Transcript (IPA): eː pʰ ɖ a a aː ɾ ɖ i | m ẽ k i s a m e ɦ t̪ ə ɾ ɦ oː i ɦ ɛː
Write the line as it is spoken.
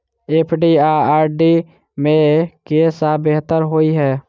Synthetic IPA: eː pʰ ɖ i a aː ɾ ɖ i | m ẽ k e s a b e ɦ t̪ ə ɾ ɦ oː i ɦ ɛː

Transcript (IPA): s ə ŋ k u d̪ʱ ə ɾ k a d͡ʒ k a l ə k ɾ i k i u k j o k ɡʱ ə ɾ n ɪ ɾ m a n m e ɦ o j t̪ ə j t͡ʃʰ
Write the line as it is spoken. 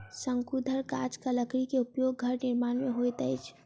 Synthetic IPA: s ə ŋ k u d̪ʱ ə ɾ k a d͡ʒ k a l ə k ɾ i k e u p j o ɡ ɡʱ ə ɾ n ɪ ɾ m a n m e ɦ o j t̪ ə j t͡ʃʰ

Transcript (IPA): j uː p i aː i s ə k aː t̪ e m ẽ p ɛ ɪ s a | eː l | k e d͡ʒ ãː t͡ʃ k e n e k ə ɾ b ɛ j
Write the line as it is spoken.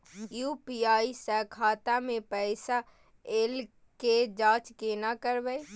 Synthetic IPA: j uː p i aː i s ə kʰ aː t̪ a m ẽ p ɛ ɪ s a | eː l | k e d͡ʒ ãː t͡ʃ k e n a k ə ɾ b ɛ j

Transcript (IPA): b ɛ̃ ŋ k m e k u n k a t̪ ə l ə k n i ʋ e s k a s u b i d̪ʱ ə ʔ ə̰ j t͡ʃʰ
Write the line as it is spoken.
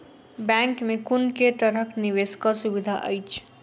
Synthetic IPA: b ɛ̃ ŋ k m e k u n k e t̪ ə ɾ ə k n i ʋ e s k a s u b i d̪ʱ a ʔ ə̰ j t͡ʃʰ

